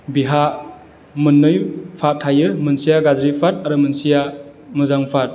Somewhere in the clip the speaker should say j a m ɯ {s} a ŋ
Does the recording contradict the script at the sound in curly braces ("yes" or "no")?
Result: yes